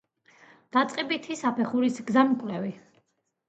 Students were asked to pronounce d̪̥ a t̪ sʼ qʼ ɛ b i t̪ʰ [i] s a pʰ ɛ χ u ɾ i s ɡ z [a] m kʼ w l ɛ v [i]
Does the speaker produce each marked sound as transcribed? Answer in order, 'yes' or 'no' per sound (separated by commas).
yes, yes, yes